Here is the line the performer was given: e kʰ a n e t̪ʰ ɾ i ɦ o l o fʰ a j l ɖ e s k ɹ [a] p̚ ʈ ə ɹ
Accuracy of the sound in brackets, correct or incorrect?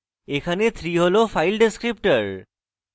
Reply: incorrect